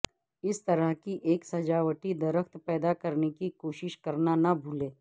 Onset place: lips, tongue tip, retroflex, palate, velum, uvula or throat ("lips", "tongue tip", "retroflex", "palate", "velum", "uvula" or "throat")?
tongue tip